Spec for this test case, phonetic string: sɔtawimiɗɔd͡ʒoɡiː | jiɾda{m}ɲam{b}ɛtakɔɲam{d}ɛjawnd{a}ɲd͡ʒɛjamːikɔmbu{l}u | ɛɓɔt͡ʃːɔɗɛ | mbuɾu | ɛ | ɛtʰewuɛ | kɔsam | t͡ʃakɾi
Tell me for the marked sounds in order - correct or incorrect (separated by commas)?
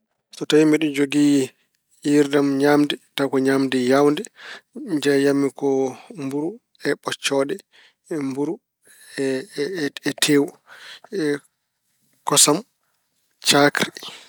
correct, incorrect, correct, incorrect, incorrect